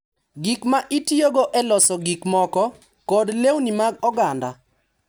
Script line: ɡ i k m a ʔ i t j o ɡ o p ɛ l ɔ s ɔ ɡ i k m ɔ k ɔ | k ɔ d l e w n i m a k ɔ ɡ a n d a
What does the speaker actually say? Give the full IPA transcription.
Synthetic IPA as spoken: ɡ i k m a ʔ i t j o ɡ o ʔ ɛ l ɔ s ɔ ɡ i k m ɔ k ɔ | k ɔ d l e w n i m a ɡ ɔ ɡ a n d a